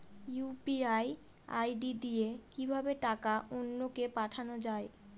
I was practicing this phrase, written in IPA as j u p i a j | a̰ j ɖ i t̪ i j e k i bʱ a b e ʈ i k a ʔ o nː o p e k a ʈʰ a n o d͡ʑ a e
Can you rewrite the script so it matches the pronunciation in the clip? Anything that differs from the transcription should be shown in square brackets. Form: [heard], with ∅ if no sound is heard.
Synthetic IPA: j u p i a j | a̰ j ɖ i [d̪] i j e k i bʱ a b e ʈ [a] k a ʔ o nː o [k] e [p] a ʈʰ a n o d͡ʑ a e

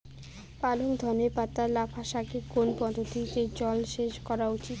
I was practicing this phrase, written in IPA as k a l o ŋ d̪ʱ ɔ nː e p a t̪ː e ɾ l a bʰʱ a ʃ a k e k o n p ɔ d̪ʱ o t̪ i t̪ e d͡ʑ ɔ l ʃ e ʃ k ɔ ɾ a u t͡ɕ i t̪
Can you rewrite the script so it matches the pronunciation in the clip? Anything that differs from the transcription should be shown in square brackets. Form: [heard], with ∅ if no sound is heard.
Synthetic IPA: [p] a l o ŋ d̪ʱ ɔ [n] e p a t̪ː [a] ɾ l a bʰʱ a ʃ a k e k o n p ɔ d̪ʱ o t̪ i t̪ e d͡ʑ ɔ l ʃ e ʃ k ɔ ɾ a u t͡ɕ i t̪

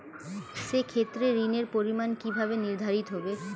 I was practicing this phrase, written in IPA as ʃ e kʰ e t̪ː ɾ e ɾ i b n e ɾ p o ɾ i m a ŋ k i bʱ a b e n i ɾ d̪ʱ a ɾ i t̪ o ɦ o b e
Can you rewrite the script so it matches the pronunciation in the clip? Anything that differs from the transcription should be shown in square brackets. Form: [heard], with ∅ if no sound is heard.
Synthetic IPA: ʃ e kʰ e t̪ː ɾ e ɾ i [∅] n e ɾ p o ɾ i m a [n] k i bʱ a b e n i ɾ d̪ʱ a ɾ i t̪ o ɦ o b e

